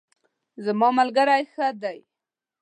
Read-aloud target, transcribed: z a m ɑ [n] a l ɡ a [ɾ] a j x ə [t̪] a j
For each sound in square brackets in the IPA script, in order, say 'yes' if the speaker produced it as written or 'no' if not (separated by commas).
no, yes, no